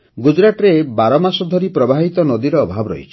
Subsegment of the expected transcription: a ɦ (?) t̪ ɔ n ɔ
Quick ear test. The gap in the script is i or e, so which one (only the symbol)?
i